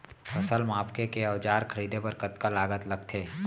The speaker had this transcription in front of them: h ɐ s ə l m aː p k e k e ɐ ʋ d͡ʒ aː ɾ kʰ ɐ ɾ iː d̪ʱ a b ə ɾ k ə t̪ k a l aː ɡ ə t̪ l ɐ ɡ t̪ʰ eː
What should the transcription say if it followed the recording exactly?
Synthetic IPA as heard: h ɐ s ə l m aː p k e k e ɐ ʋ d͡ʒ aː ɾ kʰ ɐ ɾ iː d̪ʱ e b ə ɾ k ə t̪ k a l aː ɡ ə t̪ l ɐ ɡ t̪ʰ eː